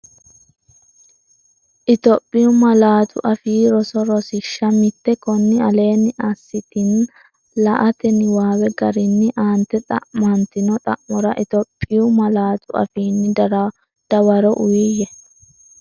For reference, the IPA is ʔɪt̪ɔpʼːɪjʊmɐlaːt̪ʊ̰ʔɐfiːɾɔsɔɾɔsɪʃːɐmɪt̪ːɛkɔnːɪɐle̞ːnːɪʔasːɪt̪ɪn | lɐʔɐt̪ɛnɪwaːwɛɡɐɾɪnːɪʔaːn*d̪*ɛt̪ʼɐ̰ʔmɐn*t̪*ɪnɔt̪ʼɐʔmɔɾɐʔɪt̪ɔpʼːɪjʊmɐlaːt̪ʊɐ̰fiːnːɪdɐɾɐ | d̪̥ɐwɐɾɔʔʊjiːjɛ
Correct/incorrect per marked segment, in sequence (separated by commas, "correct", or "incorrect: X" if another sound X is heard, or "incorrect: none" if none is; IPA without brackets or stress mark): incorrect: t̪, correct